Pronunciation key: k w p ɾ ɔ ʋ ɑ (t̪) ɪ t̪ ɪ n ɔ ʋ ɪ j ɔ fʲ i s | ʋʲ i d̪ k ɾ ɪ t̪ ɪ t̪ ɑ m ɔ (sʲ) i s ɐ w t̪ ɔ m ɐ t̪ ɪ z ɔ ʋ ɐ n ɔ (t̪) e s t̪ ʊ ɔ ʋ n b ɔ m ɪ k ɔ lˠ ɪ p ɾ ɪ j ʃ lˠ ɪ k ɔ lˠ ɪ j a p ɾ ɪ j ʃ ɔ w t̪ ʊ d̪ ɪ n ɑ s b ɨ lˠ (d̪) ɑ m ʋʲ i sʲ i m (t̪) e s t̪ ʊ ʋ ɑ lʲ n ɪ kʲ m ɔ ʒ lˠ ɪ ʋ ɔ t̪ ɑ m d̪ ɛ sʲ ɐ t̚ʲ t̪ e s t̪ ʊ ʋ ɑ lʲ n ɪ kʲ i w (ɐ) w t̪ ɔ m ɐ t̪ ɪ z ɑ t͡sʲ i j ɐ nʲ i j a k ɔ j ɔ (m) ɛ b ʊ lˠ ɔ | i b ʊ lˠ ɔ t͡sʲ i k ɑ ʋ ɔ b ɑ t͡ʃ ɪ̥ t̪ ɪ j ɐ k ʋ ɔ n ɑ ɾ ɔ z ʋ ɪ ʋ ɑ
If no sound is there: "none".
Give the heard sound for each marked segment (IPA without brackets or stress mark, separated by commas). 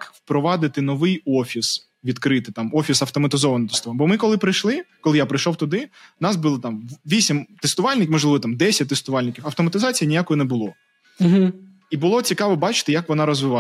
d̪, fʲ, t̪, t̪, t̪, ɐ, n